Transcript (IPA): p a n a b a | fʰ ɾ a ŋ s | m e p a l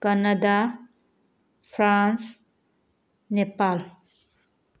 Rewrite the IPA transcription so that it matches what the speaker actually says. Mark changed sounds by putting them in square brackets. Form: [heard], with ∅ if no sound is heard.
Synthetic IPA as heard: [k] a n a [d] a | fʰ ɾ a [n] s | [n] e p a l